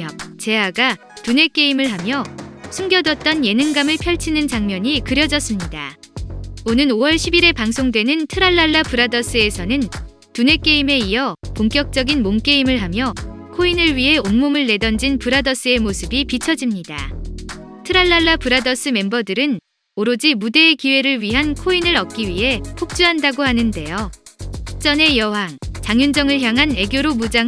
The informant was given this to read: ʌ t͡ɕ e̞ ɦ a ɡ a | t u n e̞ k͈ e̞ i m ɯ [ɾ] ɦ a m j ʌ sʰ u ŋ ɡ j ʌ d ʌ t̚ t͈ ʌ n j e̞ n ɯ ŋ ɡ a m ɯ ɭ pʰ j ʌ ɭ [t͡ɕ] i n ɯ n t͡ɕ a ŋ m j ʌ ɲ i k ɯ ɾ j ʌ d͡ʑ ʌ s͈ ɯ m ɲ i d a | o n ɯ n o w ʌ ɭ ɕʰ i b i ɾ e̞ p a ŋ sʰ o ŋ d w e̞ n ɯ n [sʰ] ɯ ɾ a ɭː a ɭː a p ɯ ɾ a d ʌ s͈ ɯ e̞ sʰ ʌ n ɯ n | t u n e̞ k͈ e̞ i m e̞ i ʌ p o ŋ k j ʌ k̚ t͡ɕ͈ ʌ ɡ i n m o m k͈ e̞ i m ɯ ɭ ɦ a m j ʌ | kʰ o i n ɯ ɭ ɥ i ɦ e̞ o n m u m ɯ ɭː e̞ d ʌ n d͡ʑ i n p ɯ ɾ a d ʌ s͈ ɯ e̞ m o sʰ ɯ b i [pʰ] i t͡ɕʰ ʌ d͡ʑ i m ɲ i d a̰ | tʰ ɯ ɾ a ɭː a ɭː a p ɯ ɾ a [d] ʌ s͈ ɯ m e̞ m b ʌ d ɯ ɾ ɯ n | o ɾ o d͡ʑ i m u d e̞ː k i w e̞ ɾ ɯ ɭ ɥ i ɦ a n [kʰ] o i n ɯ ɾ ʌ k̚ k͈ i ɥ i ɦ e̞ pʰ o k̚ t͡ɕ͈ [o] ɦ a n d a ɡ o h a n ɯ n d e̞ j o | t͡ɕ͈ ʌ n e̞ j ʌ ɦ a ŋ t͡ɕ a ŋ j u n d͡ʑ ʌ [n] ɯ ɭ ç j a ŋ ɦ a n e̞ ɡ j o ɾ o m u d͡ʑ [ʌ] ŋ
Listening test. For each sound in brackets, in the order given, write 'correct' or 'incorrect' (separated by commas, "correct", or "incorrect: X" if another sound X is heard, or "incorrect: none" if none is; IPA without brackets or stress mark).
incorrect: ɭ, incorrect: t͡ɕʰ, incorrect: tʰ, incorrect: p, correct, correct, incorrect: u, incorrect: ŋ, incorrect: a